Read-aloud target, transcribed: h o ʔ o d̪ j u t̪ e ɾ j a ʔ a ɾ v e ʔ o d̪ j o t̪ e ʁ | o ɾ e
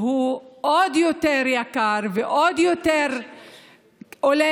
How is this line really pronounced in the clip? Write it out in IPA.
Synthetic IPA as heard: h u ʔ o d̪ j o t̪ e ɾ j a k a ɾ v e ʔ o d̪ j o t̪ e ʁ | o l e